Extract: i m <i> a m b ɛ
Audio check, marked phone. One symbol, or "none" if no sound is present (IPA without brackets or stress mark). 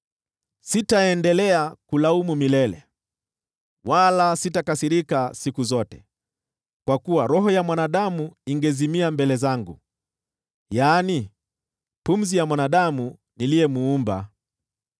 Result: i